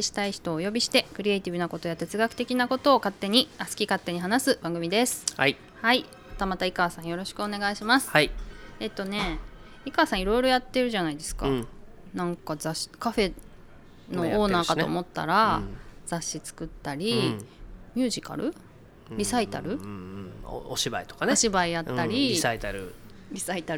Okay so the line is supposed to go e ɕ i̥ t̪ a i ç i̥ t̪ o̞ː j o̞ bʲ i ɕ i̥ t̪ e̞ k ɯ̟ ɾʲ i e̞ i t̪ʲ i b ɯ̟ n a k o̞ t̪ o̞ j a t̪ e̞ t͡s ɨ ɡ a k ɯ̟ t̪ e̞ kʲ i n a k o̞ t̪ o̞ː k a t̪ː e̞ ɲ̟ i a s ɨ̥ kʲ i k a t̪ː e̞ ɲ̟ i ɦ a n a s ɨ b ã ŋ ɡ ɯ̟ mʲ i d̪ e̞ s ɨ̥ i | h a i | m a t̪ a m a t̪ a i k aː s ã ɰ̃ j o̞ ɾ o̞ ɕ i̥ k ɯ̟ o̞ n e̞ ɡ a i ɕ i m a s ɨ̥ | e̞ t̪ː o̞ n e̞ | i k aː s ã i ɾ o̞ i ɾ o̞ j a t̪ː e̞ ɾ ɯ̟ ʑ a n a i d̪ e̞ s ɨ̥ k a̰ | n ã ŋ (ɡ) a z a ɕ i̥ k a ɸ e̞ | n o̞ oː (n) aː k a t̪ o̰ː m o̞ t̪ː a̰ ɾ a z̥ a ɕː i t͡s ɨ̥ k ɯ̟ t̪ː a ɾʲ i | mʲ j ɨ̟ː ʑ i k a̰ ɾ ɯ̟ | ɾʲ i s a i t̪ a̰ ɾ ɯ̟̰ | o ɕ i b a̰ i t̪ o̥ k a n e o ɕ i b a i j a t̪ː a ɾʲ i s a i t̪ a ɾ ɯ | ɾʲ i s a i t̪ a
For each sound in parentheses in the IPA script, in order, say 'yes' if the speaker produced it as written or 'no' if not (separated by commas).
no, yes